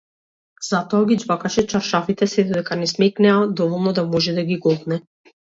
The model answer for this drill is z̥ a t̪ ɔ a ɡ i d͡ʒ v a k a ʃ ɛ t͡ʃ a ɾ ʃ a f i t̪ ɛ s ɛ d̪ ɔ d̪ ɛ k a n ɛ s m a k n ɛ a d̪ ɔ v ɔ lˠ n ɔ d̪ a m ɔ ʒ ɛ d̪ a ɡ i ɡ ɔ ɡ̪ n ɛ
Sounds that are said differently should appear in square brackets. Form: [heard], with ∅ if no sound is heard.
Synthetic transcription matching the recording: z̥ a t̪ ɔ a ɡ i d͡ʒ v a k a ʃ ɛ t͡ʃ a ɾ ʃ a f i t̪ ɛ s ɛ d̪ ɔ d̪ ɛ k a n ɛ s m [ɛ] k n ɛ a d̪ ɔ v ɔ lˠ n ɔ d̪ a m ɔ ʒ ɛ d̪ a ɡ i ɡ ɔ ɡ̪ n ɛ